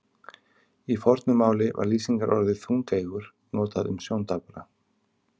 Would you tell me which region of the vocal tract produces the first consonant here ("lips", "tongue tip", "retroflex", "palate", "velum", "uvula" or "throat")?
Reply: lips